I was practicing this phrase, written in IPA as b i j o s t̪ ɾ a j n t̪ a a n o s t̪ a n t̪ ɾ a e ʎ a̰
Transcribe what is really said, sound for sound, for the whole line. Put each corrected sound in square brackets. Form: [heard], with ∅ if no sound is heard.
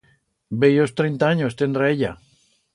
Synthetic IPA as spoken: b [e] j o s t̪ ɾ [e] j n t̪ a a [ɲ] o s t̪ [e] n [d̪] ɾ a e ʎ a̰